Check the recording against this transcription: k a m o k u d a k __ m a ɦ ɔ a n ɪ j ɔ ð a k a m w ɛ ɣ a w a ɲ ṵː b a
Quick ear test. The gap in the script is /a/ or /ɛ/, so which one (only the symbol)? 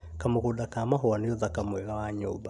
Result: a